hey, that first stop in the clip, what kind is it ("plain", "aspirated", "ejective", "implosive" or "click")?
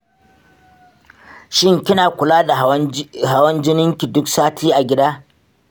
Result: plain